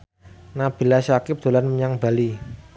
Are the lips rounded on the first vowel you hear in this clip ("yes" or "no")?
no